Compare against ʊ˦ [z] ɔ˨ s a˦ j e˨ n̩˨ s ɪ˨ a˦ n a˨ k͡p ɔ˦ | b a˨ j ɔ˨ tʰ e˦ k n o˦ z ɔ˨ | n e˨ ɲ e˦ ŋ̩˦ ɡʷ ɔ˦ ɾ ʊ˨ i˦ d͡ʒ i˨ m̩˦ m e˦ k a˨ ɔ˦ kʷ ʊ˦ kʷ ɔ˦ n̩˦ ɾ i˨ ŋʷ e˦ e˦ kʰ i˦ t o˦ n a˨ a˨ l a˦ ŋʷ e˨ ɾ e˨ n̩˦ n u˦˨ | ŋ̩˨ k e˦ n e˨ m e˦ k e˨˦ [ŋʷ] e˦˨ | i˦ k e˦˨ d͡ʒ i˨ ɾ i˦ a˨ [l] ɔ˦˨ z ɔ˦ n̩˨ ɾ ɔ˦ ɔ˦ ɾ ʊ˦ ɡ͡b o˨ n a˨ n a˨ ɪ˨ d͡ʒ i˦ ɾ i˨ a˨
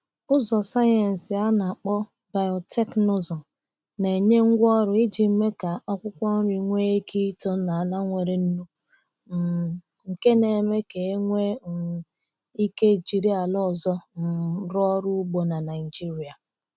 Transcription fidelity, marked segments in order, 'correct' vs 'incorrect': correct, correct, correct

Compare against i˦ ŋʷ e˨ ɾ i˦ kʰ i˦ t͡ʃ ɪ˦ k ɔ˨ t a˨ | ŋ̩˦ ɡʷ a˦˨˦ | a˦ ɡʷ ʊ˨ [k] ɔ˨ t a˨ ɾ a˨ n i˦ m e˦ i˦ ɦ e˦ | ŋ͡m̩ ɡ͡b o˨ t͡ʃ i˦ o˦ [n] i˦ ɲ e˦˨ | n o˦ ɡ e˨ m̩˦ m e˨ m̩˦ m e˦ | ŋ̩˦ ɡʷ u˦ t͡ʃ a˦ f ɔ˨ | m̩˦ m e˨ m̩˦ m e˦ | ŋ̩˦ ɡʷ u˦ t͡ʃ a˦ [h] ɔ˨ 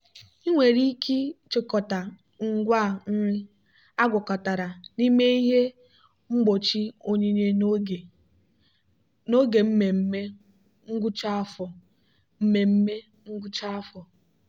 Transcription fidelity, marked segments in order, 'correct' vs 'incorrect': correct, incorrect, incorrect

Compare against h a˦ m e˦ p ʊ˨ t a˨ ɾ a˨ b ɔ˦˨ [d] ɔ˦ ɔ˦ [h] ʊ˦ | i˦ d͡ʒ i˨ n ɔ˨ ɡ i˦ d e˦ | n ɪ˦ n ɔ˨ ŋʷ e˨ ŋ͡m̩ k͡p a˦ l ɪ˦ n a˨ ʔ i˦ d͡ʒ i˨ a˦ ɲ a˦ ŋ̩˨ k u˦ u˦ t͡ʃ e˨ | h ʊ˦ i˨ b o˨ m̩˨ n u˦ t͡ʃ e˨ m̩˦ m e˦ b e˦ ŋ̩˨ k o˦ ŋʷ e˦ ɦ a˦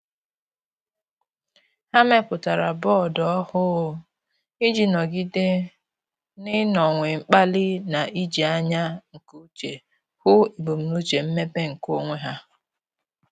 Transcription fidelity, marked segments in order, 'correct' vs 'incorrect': correct, correct

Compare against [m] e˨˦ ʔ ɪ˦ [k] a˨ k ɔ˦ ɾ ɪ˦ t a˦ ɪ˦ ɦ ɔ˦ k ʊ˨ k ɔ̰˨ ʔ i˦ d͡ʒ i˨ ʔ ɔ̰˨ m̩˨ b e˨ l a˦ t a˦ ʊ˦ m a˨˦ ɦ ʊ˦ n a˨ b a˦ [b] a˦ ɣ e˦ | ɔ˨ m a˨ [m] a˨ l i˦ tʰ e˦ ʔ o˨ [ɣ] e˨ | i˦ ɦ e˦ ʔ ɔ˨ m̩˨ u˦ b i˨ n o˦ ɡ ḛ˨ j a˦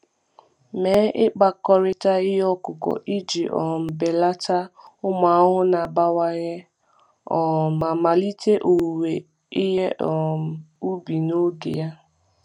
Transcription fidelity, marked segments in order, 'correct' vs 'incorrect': correct, incorrect, incorrect, correct, incorrect

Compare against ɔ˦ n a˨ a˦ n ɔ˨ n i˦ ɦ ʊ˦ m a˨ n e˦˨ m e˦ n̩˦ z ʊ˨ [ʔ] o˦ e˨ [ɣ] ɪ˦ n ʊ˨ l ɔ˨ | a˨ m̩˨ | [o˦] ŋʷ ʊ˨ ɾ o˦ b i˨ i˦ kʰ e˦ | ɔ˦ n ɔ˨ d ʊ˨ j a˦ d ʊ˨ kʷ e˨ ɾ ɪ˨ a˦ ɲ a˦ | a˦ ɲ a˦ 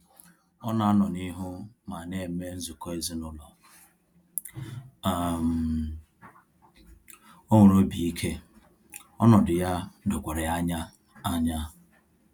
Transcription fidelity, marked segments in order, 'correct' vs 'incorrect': incorrect, incorrect, correct

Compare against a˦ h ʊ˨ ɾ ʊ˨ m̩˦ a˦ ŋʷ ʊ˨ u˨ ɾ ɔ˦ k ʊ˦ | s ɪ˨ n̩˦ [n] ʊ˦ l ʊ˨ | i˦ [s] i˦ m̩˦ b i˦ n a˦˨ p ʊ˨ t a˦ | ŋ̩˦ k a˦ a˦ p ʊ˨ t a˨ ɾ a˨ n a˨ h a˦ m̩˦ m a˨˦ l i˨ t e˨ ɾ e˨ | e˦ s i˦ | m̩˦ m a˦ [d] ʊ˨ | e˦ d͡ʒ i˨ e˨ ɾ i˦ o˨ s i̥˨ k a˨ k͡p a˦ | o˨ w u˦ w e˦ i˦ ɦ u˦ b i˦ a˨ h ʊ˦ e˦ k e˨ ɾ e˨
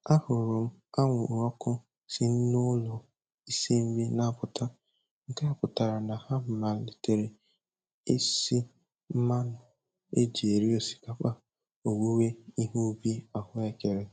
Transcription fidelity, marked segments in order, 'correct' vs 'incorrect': correct, correct, incorrect

